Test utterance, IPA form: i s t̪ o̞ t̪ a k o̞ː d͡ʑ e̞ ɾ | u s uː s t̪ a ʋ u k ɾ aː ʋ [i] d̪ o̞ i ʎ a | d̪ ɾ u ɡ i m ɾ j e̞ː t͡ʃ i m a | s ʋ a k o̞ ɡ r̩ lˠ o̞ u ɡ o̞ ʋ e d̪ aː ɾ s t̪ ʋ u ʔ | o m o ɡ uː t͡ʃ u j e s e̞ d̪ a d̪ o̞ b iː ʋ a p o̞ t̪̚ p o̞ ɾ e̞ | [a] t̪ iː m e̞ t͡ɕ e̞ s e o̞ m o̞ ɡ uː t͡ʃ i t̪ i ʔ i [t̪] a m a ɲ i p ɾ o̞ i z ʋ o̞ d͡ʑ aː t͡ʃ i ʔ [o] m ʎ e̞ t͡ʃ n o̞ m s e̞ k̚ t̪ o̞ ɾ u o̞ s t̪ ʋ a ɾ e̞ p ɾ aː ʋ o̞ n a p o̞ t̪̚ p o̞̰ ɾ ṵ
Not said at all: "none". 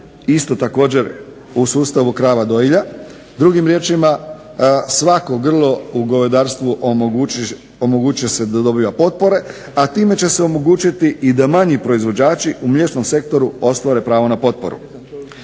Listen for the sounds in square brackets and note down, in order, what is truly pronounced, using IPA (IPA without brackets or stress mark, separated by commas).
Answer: a, a, d̪, u